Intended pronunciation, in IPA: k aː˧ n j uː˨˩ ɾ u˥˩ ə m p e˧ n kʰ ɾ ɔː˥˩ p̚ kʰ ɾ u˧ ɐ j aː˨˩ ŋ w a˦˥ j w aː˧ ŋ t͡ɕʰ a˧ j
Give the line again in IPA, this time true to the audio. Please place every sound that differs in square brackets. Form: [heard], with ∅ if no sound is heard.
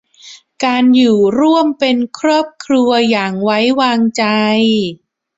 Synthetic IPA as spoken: k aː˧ n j uː˨˩ ɾ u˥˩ ə m p e˧ n kʰ ɾ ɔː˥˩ p̚ kʰ ɾ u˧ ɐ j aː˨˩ ŋ w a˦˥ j w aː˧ ŋ [t͡ɕ] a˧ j